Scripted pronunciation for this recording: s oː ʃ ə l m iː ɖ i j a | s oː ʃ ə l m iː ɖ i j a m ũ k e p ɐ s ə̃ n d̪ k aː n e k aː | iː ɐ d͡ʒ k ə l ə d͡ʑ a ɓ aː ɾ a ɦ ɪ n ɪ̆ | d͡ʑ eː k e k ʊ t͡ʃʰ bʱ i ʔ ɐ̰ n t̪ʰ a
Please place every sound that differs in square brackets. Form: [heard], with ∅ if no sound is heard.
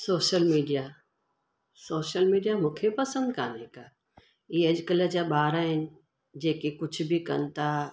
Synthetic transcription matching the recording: s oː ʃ ə l m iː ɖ i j a | s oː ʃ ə l m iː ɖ i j a m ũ [kʰ] e p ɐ s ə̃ n d̪ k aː n e k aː | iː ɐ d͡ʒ k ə l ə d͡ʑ a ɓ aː ɾ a ɦ ɪ n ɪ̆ | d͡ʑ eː k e k ʊ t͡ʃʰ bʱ i [k] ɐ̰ n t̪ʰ a